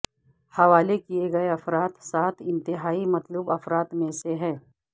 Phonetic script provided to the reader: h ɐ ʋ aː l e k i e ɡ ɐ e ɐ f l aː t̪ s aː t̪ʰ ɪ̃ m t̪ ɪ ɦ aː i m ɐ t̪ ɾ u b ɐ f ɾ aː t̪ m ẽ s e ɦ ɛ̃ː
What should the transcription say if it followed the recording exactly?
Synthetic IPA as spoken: h ɐ ʋ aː l e k i e ɡ ɐ e ɐ f ɾ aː t̪ s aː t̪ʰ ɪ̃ n t̪ ɪ ɦ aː i m ɐ t̪ l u b ɐ f ɾ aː t̪ m ẽ s e ɦ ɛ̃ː